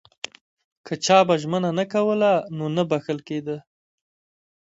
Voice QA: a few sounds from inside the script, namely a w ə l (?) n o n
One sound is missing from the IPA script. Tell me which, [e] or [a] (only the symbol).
a